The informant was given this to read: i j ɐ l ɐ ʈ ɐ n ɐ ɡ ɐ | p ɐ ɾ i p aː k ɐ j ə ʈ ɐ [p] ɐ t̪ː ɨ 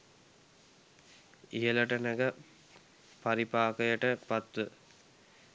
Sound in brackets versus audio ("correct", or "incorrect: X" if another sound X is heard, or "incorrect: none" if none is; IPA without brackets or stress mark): correct